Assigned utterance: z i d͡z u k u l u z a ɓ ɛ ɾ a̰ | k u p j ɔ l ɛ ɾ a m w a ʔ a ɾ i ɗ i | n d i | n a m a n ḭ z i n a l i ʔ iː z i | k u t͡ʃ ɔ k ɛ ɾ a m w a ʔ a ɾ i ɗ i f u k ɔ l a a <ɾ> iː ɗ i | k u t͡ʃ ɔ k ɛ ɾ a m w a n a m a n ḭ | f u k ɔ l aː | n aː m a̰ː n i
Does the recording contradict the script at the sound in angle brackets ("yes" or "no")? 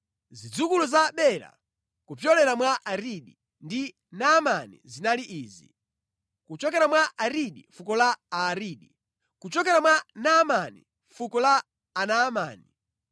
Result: no